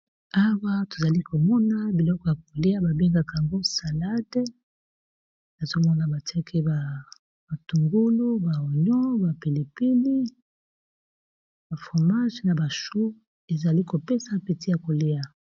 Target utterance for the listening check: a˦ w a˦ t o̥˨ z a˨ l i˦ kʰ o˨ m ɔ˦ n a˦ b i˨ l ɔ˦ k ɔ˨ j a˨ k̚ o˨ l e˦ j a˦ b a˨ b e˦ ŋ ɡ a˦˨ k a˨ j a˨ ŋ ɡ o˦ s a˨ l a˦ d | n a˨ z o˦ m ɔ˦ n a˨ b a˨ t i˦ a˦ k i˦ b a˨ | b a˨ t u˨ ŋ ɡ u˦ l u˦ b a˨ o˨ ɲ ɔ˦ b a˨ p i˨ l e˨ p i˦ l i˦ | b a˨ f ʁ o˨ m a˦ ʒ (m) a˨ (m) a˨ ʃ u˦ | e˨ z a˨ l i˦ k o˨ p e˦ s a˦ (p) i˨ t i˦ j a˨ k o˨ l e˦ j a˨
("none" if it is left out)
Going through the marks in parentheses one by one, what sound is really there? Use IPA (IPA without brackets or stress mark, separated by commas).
n, b, p